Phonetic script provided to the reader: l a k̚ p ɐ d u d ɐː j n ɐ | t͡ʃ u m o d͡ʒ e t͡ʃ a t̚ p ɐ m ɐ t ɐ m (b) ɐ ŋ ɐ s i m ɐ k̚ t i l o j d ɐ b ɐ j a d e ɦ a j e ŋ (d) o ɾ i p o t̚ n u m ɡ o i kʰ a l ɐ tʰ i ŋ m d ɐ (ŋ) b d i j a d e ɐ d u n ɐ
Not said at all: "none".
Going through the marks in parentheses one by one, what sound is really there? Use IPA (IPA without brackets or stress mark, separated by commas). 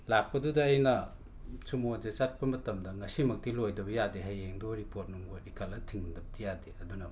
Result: d, d, none